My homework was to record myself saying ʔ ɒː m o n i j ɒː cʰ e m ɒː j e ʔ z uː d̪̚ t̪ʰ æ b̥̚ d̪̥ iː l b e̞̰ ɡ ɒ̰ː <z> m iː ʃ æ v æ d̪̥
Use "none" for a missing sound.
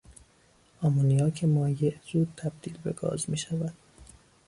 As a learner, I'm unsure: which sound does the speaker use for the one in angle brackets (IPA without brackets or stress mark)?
z